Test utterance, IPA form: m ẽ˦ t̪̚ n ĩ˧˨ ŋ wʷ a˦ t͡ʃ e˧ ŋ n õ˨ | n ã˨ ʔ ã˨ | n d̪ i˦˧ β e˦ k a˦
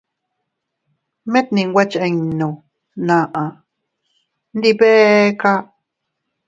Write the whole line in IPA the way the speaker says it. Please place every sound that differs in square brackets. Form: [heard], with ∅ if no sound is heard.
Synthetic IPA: m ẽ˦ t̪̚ n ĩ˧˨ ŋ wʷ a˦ t͡ʃ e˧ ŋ n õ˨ | n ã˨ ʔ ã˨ | n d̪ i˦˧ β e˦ k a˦